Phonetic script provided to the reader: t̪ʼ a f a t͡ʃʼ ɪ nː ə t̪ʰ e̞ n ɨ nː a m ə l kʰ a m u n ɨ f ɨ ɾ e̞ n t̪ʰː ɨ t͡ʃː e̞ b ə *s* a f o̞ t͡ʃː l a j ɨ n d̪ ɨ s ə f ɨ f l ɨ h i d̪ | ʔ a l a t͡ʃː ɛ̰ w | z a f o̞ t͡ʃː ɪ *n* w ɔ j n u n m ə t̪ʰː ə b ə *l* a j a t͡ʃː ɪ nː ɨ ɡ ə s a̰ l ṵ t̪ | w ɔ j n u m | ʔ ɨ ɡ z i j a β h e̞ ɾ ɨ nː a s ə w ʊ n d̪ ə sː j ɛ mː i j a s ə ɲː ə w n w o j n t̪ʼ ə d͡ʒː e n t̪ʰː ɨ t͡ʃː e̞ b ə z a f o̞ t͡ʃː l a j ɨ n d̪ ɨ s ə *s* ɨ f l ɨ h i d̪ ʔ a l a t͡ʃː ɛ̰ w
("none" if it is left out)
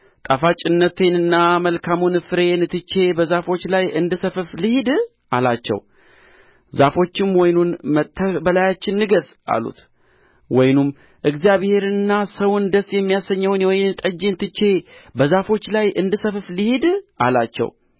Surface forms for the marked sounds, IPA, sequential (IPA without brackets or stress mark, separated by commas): z, m, l, f